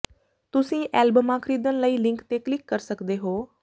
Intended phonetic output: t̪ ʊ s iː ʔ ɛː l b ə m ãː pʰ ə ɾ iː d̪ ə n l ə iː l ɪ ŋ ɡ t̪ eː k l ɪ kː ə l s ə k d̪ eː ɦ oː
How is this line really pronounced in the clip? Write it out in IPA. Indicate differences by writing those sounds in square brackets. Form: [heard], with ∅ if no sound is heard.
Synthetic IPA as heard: t̪ ʊ s [ĩː] ʔ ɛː l b ə m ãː [kʰ] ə ɾ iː d̪ ə n l ə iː l ɪ ŋ [k] t̪ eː k l ɪ kː ə [ɾ] s ə k d̪ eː ɦ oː